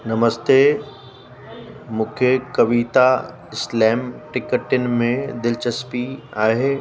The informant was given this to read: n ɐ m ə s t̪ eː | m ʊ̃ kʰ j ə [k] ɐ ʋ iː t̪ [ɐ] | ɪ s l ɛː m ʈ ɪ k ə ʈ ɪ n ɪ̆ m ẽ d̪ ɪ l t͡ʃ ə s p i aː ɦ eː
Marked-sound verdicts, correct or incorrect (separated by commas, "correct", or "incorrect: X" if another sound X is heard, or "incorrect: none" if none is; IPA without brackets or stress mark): correct, incorrect: a